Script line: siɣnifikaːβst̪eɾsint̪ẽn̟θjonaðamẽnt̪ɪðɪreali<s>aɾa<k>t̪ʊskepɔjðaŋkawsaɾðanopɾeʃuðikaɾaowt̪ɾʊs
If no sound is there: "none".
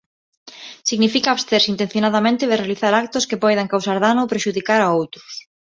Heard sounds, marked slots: θ, k

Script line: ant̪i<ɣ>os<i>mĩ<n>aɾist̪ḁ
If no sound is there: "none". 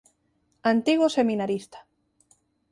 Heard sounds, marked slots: ɣ, e, n

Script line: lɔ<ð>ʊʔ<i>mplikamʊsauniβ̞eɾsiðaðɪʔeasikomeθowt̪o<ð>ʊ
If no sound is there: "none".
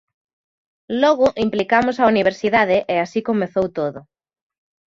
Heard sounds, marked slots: ɣ, i, ð

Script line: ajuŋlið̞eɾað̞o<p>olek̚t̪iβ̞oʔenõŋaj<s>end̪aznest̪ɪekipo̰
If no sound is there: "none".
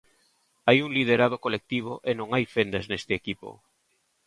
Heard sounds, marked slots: k, f

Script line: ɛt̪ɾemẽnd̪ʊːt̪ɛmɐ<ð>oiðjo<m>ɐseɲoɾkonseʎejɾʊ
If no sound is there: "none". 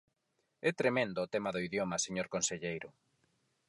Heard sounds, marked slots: ð, m

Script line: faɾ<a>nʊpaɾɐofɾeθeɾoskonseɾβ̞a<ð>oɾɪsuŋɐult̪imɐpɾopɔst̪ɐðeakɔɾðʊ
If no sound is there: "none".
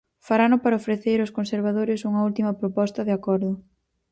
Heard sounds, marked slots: a, ð

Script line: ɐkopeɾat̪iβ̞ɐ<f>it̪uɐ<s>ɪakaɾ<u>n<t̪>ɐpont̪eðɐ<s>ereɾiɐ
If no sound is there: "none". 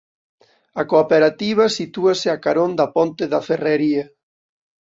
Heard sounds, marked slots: s, s, o, d̪, f

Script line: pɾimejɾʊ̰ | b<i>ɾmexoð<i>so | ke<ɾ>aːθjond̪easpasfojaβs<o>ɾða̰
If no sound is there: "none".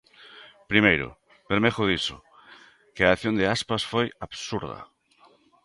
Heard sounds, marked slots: e, i, none, u

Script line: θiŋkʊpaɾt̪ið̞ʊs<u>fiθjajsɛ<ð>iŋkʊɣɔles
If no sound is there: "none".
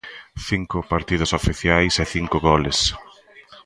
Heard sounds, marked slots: o, θ

